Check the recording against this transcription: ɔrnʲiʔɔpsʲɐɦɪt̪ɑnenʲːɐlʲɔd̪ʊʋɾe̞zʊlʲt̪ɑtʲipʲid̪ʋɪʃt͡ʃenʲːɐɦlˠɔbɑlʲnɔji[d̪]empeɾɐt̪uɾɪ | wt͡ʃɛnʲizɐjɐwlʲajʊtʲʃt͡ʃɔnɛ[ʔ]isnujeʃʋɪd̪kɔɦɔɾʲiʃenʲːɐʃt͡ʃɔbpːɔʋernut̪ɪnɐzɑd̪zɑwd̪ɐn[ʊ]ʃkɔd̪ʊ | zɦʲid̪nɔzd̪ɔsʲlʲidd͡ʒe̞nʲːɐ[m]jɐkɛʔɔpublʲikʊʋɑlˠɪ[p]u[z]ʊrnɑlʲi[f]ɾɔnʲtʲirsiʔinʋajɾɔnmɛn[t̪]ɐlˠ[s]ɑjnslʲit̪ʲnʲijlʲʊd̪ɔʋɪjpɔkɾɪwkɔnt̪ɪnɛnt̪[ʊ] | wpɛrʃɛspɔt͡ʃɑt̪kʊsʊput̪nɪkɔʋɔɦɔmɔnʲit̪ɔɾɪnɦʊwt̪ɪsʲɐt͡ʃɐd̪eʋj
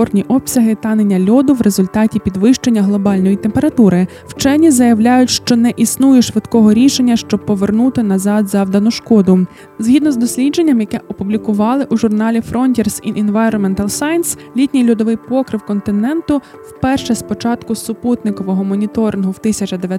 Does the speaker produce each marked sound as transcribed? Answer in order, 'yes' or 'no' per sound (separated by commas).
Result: no, yes, yes, yes, no, no, yes, yes, yes, yes